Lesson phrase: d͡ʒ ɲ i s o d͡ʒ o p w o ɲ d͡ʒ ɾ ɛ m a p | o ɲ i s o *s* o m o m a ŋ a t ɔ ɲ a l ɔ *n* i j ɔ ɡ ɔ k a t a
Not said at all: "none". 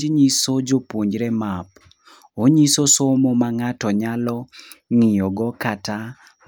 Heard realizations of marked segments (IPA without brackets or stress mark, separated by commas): s, ŋ